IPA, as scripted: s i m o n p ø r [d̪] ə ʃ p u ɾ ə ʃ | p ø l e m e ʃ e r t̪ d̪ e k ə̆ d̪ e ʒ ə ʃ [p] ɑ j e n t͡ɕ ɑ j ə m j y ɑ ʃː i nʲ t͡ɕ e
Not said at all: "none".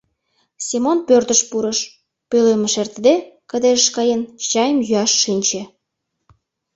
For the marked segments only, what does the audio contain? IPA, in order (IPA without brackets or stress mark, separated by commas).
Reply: t̪, k